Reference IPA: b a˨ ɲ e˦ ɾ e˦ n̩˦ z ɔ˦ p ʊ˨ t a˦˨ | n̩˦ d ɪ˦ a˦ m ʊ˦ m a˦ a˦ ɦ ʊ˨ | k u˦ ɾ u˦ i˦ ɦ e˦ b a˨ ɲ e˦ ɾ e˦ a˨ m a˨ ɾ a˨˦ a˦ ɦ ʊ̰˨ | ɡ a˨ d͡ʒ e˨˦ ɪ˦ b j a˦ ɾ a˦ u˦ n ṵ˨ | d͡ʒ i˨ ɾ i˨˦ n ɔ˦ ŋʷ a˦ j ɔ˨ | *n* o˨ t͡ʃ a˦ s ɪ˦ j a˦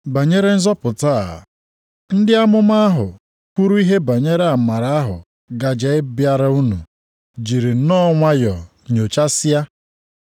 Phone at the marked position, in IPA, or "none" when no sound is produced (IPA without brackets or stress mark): ɲ